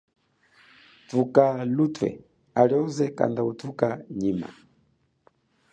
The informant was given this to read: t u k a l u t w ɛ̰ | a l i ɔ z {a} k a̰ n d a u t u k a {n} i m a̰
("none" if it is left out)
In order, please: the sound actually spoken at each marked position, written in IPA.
ɛ, ɲ

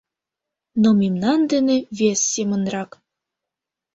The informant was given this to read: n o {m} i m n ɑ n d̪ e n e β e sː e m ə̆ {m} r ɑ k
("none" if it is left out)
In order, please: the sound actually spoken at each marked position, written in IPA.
m, n

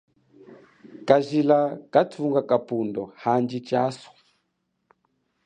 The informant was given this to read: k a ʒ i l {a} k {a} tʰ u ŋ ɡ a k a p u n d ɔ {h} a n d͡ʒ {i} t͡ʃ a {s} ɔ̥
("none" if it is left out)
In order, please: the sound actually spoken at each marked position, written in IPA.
a, a, h, i, s

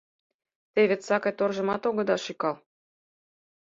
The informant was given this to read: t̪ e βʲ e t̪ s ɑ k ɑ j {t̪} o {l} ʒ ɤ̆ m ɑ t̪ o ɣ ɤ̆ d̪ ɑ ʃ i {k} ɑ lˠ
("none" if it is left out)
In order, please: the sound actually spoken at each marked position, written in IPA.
t̪, r, k

